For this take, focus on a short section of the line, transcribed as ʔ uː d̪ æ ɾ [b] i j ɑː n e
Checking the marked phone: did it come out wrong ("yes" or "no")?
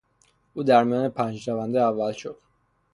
yes